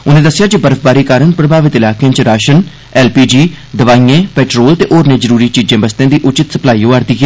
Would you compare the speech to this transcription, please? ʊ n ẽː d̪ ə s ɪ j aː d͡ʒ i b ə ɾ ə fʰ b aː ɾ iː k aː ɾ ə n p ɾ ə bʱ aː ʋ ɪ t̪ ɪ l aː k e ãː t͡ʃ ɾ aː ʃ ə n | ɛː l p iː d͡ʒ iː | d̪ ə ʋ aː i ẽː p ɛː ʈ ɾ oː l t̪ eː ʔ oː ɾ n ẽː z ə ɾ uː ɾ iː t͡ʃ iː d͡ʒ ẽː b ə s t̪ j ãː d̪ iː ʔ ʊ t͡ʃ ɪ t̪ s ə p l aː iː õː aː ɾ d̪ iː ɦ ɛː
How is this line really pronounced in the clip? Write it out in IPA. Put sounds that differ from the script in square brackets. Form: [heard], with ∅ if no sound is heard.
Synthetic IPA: ʊ n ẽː d̪ ə s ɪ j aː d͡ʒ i b ə ɾ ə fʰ b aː ɾ iː k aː ɾ ə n p ɾ ə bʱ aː ʋ ɪ t̪ ɪ l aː k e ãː t͡ʃ ɾ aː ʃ ə n | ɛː l p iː d͡ʒ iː | d̪ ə ʋ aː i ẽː p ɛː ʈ ɾ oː l t̪ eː ʔ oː ɾ n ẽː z ə ɾ uː ɾ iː t͡ʃ iː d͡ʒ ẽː b ə s t̪ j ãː d̪ iː ʔ ʊ t͡ʃ ɪ t̪ s ə p l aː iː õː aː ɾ d̪ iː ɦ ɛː